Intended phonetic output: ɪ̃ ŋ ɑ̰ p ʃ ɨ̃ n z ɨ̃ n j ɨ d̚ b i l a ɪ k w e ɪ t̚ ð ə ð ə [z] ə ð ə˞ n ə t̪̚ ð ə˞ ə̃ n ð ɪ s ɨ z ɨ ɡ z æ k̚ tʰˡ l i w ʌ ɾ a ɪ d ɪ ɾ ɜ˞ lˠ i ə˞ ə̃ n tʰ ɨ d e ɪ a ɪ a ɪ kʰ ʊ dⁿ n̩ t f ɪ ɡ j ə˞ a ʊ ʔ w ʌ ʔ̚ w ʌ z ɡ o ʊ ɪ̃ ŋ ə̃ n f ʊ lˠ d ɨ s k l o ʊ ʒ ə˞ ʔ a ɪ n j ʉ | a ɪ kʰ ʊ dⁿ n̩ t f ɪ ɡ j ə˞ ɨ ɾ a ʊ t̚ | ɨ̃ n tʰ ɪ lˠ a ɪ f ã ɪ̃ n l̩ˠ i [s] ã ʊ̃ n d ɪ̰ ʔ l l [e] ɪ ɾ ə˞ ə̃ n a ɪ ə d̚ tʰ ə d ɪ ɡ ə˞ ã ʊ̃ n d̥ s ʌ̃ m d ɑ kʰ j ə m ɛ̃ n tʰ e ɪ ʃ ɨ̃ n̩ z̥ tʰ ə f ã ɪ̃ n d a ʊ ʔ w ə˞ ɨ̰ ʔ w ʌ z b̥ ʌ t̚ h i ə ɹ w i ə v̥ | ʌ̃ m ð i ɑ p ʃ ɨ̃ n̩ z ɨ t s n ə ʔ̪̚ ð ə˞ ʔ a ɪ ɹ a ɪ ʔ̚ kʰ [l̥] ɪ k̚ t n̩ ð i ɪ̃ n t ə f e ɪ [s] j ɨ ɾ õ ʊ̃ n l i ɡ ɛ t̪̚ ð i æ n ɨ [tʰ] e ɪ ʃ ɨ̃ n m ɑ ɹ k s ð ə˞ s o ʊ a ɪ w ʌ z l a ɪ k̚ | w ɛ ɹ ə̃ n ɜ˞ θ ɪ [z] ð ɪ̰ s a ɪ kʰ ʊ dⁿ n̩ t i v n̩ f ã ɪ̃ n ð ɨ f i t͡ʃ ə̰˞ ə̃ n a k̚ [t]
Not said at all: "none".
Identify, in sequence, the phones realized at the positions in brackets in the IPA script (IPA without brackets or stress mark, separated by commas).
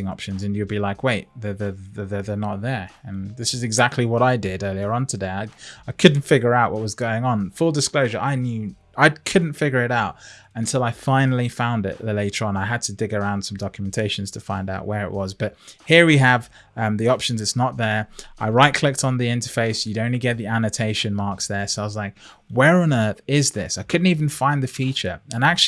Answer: ð, f, e, l̥, s, tʰ, z, t͡ʃ